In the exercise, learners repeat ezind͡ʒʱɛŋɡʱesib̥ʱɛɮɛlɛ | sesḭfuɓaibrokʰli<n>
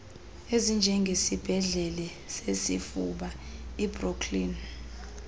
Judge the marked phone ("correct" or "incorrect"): correct